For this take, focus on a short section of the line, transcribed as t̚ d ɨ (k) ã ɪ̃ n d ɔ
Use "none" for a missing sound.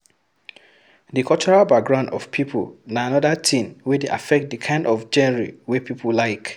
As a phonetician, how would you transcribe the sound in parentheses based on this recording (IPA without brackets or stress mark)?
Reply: kʰ